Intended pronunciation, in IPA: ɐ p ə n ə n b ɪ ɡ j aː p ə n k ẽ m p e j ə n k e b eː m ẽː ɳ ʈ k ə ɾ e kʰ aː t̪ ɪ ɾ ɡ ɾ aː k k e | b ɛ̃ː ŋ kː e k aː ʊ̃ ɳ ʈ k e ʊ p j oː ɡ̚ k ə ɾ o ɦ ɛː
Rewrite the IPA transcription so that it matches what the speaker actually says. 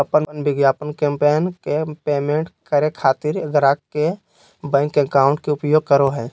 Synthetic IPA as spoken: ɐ p ə n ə n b ɪ ɡ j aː p ə n k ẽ m p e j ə n k e p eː m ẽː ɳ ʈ k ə ɾ e kʰ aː t̪ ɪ ɾ ɡ ɾ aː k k e | b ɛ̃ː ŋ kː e k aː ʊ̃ ɳ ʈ k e ʊ p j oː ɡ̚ k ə ɾ o ɦ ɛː